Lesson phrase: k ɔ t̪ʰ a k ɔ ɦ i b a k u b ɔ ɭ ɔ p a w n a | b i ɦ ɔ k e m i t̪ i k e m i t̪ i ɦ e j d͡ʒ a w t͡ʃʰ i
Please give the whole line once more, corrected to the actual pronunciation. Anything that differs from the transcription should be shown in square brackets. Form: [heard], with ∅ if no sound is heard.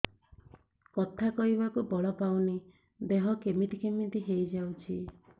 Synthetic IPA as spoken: k ɔ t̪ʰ a k ɔ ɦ i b a k u b ɔ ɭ ɔ p a w n [i] | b [e] ɦ ɔ k e m i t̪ i k e m i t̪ i ɦ e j d͡ʒ a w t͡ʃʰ i